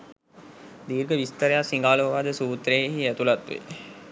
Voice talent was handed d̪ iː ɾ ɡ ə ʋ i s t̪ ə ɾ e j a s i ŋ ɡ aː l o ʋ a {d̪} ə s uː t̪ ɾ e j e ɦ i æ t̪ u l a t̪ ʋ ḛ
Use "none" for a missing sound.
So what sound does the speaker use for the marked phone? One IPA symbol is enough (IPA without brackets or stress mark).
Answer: d̪